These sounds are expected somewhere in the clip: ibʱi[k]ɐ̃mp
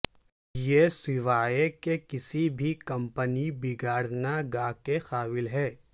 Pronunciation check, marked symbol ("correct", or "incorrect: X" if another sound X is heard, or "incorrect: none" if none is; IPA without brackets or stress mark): correct